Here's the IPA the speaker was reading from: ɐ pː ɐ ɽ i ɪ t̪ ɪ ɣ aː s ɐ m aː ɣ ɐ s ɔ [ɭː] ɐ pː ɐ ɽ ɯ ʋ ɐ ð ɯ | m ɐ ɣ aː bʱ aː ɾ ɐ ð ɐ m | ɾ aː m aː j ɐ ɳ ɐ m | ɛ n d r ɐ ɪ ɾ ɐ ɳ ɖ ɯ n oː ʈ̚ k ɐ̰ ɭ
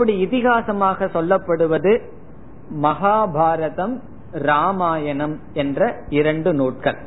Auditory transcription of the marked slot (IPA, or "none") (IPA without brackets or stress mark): lː